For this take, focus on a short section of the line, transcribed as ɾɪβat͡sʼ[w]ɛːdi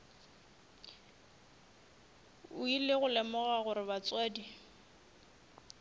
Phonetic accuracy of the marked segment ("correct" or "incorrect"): correct